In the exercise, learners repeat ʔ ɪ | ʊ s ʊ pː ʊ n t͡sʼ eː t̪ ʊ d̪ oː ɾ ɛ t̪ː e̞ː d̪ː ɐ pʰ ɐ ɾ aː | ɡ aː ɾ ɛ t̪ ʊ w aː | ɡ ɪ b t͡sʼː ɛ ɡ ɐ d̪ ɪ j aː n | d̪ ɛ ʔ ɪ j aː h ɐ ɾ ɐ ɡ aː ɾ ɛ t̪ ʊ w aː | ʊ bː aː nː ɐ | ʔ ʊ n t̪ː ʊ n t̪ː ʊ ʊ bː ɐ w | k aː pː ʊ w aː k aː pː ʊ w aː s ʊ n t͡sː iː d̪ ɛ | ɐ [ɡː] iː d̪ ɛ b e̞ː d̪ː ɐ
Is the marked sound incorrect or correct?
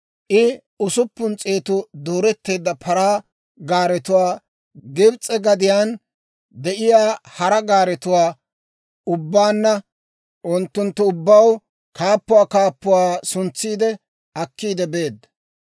incorrect: kː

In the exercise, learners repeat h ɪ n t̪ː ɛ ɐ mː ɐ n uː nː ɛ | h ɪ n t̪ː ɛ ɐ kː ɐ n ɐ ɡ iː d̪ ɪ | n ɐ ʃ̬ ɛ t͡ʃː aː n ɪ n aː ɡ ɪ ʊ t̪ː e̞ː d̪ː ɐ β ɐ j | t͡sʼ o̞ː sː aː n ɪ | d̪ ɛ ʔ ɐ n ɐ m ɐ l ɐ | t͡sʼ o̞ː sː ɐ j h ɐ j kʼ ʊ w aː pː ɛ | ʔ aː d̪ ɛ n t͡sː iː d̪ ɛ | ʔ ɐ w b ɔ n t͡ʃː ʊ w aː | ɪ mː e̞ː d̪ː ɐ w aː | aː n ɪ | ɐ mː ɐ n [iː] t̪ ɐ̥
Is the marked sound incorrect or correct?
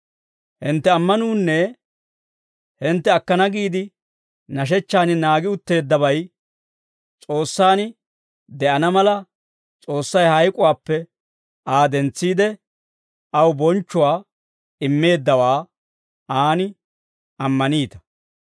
correct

